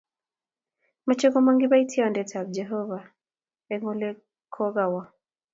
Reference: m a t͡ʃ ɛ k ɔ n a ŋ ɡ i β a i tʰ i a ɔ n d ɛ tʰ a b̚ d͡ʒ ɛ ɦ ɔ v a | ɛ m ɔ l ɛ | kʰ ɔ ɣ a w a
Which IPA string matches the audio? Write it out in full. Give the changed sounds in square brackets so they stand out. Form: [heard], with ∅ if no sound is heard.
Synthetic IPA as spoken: m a t͡ʃ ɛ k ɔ [m] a ŋ ɡ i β a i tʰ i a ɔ n d ɛ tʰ a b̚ d͡ʒ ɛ ɦ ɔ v a | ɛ [ŋ] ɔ l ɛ | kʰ ɔ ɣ a w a